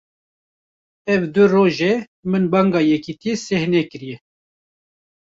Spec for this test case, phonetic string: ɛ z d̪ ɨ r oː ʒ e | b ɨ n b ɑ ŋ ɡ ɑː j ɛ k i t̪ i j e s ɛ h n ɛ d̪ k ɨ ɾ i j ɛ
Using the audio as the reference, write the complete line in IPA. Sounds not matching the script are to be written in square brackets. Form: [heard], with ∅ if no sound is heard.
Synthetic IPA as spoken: ɛ [v] d̪ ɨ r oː ʒ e | [m] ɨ n b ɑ ŋ ɡ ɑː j ɛ k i t̪ i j e s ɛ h n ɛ [∅] k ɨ ɾ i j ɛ